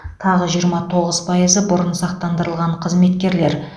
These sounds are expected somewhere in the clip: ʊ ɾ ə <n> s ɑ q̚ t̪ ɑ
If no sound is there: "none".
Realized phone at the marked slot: n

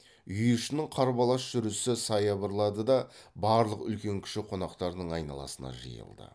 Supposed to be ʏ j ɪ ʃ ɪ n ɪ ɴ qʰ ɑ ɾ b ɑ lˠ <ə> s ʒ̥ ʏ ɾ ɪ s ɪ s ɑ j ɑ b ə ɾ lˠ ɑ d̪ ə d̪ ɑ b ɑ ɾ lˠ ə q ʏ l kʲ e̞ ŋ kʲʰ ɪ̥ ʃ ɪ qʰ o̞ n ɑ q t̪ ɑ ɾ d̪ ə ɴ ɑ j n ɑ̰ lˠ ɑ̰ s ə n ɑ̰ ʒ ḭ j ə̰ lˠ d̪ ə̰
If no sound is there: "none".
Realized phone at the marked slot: ɑ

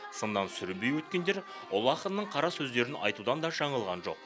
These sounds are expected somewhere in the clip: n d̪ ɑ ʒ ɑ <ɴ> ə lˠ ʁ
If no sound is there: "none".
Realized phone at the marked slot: ɴ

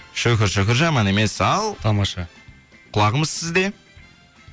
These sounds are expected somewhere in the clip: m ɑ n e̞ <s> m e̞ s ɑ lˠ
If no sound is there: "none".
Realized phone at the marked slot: none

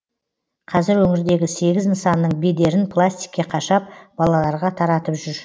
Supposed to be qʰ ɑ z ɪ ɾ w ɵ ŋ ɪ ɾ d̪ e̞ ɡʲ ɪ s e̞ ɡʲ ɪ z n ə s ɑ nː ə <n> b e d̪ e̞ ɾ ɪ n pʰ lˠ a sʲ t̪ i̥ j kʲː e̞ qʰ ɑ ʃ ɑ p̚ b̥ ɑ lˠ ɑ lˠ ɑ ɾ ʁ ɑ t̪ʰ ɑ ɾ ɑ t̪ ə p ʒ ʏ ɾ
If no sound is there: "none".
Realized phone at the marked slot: ɴ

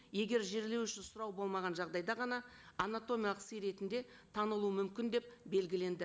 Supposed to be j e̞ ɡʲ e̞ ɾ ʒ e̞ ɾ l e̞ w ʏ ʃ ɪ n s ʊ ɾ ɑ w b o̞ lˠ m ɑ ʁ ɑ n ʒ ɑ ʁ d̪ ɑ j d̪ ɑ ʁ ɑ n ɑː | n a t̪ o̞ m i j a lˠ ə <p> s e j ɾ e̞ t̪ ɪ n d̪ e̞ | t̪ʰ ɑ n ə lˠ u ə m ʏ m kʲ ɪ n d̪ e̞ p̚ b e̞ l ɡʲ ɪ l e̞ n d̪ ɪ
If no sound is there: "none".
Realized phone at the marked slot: q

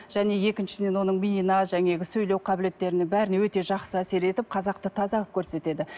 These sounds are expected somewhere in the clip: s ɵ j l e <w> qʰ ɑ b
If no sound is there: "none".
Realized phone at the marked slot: w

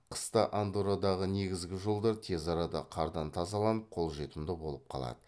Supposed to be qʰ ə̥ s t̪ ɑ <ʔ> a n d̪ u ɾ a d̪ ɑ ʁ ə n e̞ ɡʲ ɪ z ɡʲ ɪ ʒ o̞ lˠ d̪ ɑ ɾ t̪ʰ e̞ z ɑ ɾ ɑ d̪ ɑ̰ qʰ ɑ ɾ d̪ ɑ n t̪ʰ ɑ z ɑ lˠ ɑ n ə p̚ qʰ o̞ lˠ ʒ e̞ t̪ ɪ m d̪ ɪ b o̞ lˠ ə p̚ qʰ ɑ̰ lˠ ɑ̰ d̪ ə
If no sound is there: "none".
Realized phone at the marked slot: ʔ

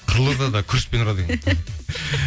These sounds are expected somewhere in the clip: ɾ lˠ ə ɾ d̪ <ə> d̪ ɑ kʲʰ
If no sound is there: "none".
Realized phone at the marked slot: ɑ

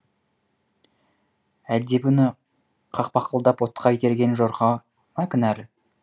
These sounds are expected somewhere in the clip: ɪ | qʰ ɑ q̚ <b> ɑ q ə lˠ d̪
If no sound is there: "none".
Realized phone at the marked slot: p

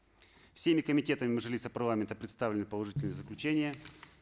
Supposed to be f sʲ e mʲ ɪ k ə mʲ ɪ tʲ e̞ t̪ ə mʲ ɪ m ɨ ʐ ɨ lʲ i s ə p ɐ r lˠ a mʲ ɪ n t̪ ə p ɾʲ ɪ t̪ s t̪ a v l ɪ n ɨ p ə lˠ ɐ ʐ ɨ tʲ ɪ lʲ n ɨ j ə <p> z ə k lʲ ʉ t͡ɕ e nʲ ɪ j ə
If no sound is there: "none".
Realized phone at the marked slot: none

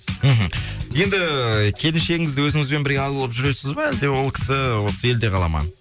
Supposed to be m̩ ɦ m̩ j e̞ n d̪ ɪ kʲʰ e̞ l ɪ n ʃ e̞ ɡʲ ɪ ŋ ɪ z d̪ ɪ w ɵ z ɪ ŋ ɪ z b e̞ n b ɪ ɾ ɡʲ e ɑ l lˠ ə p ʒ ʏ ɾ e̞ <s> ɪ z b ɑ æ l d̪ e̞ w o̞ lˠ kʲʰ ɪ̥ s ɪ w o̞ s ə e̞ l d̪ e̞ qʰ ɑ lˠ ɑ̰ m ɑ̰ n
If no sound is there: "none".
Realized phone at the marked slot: s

